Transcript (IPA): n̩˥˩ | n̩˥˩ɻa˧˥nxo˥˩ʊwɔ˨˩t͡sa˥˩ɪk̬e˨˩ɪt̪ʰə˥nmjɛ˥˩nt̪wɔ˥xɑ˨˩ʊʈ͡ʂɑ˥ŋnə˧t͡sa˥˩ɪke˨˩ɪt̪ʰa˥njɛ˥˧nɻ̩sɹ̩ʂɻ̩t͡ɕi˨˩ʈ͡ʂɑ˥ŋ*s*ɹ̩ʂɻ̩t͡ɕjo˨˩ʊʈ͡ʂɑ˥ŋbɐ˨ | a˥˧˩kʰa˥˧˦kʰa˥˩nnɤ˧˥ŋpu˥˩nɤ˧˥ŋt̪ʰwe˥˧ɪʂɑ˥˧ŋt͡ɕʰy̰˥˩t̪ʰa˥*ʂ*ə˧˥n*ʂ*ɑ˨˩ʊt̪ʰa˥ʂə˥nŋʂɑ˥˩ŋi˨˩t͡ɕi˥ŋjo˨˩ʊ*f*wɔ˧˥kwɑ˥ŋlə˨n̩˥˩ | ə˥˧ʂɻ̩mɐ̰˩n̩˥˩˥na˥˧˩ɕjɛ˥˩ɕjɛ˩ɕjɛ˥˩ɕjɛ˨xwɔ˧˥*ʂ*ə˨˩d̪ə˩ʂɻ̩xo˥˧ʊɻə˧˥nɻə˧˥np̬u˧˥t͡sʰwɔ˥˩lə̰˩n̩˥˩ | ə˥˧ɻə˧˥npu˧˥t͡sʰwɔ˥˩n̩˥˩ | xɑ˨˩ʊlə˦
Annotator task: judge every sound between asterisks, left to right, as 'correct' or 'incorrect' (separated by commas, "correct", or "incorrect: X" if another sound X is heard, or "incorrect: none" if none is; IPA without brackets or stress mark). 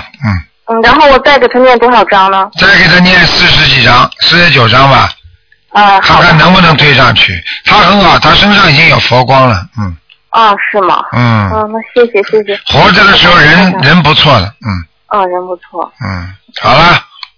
correct, incorrect: x, incorrect: x, correct, incorrect: ʈ͡ʂ